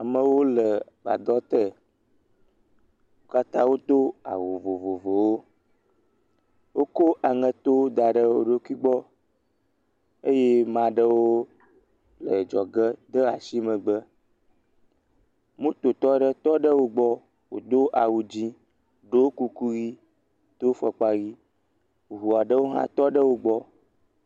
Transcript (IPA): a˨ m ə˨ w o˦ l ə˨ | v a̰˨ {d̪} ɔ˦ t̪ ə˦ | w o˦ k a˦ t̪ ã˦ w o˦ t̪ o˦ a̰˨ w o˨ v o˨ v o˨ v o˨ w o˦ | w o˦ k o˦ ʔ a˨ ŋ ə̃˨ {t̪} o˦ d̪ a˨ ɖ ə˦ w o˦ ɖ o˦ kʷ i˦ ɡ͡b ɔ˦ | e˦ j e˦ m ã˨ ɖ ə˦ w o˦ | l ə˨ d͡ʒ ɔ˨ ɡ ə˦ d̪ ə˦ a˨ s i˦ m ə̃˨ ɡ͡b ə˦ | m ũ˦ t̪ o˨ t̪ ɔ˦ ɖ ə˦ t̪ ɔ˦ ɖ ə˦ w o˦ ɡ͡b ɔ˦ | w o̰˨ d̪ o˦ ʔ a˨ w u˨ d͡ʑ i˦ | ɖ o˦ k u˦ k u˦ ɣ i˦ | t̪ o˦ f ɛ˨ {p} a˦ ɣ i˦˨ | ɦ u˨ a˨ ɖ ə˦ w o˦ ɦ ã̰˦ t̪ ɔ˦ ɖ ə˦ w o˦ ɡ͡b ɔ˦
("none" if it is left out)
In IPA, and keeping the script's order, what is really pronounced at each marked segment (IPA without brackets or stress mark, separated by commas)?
d̪, t̪, k͡p